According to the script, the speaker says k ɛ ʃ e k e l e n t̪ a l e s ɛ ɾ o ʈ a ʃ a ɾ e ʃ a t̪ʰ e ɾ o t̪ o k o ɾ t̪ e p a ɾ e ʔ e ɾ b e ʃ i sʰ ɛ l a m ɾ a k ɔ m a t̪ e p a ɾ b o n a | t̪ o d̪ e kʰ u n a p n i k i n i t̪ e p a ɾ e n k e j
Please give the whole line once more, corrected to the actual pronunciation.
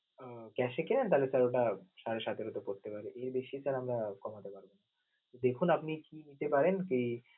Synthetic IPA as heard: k ɛ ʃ e k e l e n t̪ a l e s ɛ ɾ o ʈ a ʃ a ɾ e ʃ a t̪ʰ e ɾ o t̪ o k o ɾ t̪ e p a ɾ e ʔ e ɾ b e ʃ i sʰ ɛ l a m ɾ a k ɔ m a t̪ e p a ɾ b o n a | t̪ o d̪ e kʰ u n a p n i k i n i t̪ e p a ɾ e n k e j